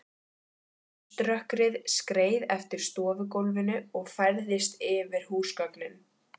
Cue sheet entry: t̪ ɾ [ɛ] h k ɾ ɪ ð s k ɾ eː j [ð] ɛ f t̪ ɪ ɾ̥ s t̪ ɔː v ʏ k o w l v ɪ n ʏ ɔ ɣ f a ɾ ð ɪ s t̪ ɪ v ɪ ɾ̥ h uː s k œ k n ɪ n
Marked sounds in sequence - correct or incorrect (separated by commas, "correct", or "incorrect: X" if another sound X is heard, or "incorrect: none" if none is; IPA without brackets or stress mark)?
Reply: incorrect: œ, correct